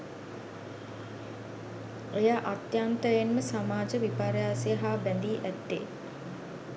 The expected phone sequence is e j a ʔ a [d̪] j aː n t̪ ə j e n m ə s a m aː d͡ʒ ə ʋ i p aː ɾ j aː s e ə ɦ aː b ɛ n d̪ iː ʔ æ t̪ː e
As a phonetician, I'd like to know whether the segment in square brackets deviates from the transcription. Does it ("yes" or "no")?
yes